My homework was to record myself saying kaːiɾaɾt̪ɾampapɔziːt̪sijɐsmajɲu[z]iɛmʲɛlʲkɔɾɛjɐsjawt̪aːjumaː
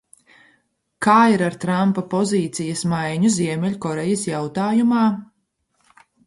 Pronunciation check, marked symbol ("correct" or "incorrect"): correct